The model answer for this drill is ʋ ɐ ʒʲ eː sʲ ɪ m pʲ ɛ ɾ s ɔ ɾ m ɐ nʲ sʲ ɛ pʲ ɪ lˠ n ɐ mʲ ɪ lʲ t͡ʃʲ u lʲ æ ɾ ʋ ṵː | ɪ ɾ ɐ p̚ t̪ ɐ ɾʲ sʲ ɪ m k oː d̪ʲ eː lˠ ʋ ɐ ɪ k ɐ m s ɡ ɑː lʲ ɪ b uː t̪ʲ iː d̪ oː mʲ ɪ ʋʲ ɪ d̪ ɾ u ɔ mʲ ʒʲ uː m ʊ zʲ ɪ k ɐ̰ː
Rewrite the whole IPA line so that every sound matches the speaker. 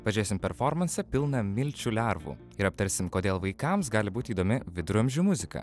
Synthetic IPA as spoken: ʋ ɐ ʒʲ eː sʲ ɪ m pʲ ɛ ɾ f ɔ ɾ m ɐ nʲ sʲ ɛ pʲ ɪ lˠ n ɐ mʲ ɪ lʲ t͡ʃʲ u lʲ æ ɾ ʋ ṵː | ɪ ɾ ɐ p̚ t̪ ɐ ɾʲ sʲ ɪ m k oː d̪ʲ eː lˠ ʋ ɐ ɪ k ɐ m s ɡ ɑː lʲ ɪ b uː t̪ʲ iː d̪ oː mʲ ɪ ʋʲ ɪ d̪ ɾ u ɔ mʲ ʒʲ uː m ʊ zʲ ɪ k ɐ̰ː